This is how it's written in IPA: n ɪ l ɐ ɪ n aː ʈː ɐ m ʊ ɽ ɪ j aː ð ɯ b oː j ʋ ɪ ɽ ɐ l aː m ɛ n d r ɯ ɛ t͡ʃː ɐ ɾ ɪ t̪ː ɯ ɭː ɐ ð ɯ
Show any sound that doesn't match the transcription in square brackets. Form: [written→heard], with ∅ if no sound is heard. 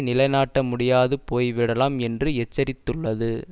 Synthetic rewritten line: n ɪ l ɐ ɪ n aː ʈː ɐ m ʊ ɽ ɪ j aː ð ɯ [b→p] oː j ʋ ɪ ɽ ɐ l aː m ɛ n d r ɯ ɛ t͡ʃː ɐ ɾ ɪ t̪ː ɯ ɭː ɐ ð ɯ